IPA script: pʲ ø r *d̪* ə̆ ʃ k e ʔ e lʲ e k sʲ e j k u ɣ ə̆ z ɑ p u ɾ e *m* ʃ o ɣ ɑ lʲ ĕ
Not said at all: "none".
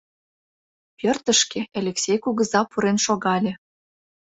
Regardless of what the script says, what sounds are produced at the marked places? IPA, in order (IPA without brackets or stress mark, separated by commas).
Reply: t̪, n